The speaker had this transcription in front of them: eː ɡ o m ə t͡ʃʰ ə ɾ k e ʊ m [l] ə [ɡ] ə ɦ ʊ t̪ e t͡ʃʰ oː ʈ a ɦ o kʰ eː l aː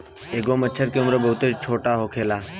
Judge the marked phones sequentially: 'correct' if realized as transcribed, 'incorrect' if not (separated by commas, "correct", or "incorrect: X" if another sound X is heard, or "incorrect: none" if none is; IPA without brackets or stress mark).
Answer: incorrect: ɾ, incorrect: b